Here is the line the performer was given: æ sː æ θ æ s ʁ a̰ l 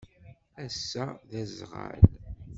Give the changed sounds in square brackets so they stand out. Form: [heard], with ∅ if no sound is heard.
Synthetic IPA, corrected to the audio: æ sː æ [ð] æ [z] ʁ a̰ l